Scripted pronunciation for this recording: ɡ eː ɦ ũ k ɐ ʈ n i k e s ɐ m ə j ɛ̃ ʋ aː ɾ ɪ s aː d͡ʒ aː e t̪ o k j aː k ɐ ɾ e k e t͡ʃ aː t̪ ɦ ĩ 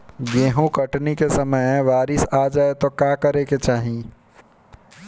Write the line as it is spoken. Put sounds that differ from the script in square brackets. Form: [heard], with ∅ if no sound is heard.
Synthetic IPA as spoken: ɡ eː ɦ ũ k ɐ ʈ n i k e s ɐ m ə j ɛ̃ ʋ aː ɾ ɪ s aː d͡ʒ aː e t̪ o k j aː k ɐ ɾ e k e t͡ʃ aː [∅] ɦ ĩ